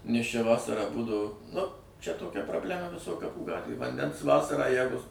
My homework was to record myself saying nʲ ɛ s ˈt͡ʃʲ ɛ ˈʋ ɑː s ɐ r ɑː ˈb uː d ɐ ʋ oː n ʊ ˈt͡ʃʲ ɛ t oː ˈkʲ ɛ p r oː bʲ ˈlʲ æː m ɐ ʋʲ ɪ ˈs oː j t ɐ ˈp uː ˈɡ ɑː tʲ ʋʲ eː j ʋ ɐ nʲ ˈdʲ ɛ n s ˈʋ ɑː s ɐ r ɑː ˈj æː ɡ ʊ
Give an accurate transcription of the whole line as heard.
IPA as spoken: nʲ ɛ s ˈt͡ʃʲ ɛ ˈʋ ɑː s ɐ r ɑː ˈb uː d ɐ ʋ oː n ʊ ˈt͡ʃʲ ɛ t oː ˈkʲ ɛ p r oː bʲ ˈlʲ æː m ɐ ʋʲ ɪ ˈs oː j k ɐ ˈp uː ˈɡ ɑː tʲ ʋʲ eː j ʋ ɐ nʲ ˈdʲ ɛ n s ˈʋ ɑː s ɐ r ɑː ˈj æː ɡ ʊ